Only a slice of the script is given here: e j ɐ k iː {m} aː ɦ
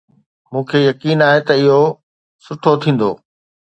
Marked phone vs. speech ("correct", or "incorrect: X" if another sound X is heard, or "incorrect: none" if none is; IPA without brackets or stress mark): incorrect: n